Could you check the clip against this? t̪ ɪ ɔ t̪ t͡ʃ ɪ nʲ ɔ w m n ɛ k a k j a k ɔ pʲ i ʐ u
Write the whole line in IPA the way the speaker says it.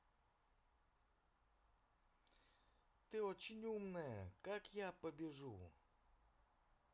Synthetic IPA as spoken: t̪ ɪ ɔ t͡ʃ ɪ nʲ u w m n ɛ k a k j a p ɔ bʲ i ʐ u